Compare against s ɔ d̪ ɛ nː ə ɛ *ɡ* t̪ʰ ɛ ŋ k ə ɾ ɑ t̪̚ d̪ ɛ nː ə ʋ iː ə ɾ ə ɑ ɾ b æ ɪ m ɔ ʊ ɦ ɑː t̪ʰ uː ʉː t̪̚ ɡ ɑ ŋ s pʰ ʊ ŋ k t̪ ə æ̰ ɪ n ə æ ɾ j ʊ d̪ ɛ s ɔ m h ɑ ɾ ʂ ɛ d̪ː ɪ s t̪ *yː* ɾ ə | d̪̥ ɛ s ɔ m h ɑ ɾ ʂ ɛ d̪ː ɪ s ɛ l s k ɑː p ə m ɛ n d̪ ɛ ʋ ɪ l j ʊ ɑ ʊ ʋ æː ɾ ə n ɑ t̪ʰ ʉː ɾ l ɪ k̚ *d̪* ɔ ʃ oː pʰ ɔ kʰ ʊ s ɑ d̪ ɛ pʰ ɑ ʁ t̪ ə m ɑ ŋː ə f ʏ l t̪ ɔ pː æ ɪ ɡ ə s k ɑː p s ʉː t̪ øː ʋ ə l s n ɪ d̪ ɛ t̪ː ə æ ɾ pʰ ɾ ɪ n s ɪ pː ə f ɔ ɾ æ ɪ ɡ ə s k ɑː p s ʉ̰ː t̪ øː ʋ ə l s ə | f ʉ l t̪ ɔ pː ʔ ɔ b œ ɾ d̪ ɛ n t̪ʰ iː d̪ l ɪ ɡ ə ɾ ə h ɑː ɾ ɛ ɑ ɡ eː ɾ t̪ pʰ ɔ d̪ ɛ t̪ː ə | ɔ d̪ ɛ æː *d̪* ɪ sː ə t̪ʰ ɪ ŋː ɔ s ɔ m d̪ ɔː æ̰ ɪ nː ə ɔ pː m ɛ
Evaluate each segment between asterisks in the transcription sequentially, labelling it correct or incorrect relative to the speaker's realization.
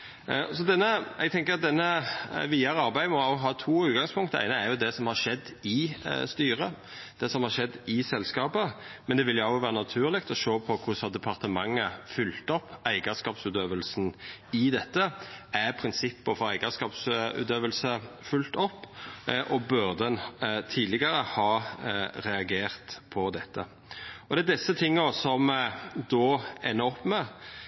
correct, correct, incorrect: t̪, correct

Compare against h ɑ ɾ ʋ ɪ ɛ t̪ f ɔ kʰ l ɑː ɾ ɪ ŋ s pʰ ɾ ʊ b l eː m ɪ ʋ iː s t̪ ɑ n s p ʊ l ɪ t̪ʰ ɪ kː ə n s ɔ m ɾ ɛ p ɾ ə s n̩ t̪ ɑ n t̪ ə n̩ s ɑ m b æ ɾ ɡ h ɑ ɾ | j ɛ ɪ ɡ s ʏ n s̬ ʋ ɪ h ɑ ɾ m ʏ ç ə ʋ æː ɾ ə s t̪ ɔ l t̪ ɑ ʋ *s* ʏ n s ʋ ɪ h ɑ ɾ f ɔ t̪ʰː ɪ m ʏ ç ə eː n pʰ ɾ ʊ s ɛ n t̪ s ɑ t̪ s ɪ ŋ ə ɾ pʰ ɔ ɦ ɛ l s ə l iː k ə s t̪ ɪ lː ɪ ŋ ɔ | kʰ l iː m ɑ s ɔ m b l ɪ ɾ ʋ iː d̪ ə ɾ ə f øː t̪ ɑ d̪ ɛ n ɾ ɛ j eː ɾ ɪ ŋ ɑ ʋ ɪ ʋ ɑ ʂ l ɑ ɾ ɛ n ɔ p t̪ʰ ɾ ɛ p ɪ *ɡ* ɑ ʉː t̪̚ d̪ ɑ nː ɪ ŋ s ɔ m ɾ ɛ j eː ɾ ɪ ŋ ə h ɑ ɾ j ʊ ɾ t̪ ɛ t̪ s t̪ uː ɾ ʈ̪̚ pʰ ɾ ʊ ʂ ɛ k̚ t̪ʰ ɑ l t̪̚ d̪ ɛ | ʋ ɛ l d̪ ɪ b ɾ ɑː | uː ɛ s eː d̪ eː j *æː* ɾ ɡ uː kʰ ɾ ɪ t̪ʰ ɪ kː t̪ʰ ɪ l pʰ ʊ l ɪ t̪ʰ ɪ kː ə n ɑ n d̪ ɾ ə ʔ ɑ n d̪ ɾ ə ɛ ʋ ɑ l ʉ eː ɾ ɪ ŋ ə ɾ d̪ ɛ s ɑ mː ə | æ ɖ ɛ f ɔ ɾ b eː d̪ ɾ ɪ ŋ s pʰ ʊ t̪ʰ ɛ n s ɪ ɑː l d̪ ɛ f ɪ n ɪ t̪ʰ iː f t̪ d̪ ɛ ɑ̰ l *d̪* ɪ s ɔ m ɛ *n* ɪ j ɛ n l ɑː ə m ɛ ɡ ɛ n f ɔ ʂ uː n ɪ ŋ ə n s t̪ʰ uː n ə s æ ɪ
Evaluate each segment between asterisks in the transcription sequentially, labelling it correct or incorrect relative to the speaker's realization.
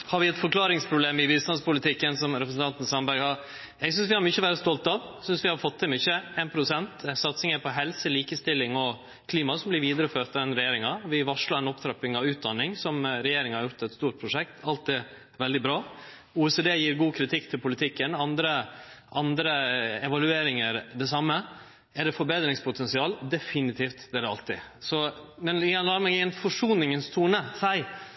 correct, incorrect: ŋ, incorrect: iː, incorrect: t̪, correct

